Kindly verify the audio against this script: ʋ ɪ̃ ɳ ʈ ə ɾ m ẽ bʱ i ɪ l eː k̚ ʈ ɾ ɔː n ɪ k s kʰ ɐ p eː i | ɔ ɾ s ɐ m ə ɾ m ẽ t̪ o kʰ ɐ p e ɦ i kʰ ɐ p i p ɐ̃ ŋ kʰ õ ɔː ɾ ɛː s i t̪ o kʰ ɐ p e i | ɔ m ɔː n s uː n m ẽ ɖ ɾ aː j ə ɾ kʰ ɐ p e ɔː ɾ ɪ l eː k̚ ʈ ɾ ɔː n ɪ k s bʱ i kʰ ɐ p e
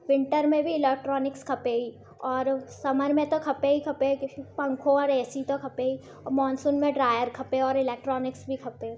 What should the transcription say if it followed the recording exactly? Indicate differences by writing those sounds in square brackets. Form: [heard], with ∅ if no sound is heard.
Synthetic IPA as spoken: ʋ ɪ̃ ɳ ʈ ə ɾ m ẽ bʱ i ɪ l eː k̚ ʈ ɾ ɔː n ɪ k s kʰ ɐ p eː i | [ɔː] ɾ s ɐ m ə ɾ m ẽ t̪ o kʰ ɐ p e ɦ i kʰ ɐ p [e] p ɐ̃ ŋ kʰ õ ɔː ɾ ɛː s i t̪ o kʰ ɐ p e i | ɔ m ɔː n s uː n m ẽ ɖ ɾ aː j ə ɾ kʰ ɐ p e ɔː ɾ ɪ l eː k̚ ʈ ɾ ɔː n ɪ k s bʱ i kʰ ɐ p e